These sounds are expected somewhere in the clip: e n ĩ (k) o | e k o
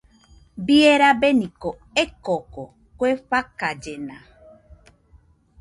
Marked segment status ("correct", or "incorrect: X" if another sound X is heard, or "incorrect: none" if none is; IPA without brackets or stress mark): correct